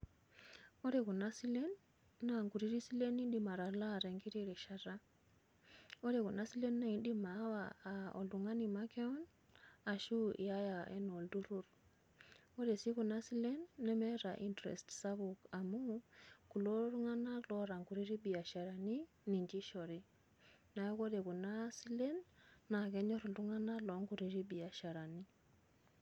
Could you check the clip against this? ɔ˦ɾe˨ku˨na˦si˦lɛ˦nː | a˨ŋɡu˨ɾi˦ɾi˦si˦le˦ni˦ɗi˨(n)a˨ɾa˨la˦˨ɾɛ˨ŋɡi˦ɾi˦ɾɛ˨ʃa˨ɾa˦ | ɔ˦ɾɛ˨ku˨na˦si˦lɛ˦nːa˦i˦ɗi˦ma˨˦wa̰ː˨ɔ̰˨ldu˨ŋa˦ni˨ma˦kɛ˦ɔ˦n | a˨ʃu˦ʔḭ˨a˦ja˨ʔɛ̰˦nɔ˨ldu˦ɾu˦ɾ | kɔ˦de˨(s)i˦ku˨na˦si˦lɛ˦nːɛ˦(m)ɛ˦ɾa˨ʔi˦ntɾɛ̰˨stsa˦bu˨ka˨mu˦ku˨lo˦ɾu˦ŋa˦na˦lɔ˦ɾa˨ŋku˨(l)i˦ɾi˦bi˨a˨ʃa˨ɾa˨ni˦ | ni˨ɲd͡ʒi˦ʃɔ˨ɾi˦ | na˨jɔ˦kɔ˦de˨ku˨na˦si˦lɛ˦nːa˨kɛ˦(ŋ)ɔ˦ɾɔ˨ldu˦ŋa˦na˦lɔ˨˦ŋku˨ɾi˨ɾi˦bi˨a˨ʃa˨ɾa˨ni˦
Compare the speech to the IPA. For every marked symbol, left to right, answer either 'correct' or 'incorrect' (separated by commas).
incorrect, correct, correct, incorrect, incorrect